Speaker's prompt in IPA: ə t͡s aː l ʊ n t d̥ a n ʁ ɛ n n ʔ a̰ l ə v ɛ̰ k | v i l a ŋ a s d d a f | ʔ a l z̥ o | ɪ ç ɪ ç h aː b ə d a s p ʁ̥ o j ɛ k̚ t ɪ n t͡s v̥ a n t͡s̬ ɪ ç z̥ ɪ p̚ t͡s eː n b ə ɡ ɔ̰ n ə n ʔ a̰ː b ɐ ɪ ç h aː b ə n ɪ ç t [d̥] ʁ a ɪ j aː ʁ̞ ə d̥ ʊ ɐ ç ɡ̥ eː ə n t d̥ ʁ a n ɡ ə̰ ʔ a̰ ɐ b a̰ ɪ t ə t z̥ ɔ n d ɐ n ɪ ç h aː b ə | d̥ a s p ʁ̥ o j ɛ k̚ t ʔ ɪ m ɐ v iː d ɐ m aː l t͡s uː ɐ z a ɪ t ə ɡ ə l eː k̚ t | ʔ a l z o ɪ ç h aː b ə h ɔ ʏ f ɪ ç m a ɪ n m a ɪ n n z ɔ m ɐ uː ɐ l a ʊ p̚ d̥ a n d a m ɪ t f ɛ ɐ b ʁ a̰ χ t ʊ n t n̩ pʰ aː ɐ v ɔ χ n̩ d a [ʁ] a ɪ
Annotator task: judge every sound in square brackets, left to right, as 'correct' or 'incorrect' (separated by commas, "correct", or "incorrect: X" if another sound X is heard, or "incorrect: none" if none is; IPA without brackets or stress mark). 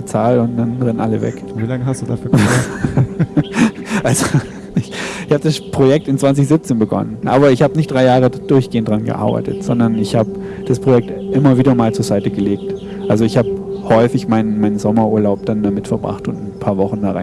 correct, correct